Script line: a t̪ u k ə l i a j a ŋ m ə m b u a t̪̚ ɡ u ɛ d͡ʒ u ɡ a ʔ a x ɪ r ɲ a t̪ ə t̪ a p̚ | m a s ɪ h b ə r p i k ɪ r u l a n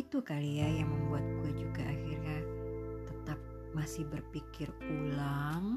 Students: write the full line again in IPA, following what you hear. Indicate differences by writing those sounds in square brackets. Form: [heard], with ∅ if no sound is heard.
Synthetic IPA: [i] t̪ u k [a] l i a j a ŋ m ə m b u a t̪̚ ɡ u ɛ d͡ʒ u ɡ a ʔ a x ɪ r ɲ a t̪ ə t̪ a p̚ | m a s ɪ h b ə r p i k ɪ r u l a [ŋ]